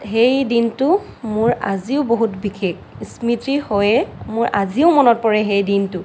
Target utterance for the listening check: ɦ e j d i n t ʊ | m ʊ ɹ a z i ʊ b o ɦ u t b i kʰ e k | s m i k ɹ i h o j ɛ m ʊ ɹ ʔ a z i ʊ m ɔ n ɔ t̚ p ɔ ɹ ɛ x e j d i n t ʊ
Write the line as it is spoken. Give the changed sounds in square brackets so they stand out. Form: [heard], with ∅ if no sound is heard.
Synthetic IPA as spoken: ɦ e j d i n t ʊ | m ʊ ɹ a z i ʊ b o ɦ u t b i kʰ e k | s m i [t] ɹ i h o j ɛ m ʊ ɹ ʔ a z i ʊ m ɔ n ɔ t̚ p ɔ ɹ ɛ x e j d i n t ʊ